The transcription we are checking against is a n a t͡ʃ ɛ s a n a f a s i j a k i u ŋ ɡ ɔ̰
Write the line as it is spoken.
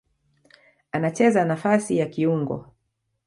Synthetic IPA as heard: a n a t͡ʃ ɛ z a n a f a s i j a k i u ŋ ɡ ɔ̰